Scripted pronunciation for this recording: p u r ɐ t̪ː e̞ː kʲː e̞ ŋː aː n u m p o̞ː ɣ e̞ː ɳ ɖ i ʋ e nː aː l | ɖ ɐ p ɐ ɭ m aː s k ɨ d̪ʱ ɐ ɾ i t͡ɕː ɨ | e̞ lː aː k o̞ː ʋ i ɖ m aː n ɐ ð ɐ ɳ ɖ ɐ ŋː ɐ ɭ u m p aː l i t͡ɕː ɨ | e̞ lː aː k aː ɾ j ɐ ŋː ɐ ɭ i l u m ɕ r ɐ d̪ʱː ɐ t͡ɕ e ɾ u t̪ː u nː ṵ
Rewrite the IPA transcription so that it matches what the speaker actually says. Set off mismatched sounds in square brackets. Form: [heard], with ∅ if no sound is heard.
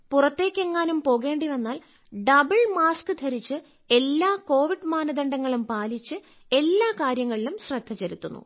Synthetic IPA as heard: p u r ɐ t̪ː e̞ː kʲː e̞ ŋː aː n u m p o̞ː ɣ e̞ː ɳ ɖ i ʋ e nː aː l | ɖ ɐ [b] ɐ ɭ m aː s k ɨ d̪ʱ ɐ ɾ i t͡ɕː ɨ | e̞ lː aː k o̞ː ʋ i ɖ m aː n ɐ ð ɐ ɳ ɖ ɐ ŋː ɐ ɭ u m p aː l i t͡ɕː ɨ | e̞ lː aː k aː ɾ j ɐ ŋː ɐ ɭ i l u m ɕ r ɐ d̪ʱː ɐ t͡ɕ e ɾ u t̪ː u nː ṵ